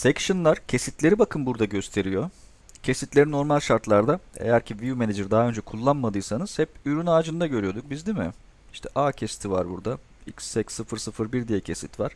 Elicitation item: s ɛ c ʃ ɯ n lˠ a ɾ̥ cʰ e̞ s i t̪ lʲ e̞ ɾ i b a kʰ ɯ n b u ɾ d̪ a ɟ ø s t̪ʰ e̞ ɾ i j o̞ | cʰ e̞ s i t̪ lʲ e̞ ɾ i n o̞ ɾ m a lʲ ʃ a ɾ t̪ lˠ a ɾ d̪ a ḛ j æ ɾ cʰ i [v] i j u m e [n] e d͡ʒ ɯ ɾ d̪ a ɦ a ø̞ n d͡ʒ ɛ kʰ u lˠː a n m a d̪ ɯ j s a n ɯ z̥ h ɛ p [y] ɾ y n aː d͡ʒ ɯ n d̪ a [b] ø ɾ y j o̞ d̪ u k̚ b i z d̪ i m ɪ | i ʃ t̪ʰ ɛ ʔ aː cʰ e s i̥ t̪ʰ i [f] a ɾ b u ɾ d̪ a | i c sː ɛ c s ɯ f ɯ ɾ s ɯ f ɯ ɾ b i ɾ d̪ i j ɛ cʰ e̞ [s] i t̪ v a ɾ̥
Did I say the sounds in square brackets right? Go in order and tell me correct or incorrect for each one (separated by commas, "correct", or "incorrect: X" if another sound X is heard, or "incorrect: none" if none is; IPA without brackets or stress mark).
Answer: correct, correct, correct, incorrect: ɟ, incorrect: v, correct